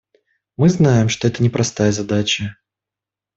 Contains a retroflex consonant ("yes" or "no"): yes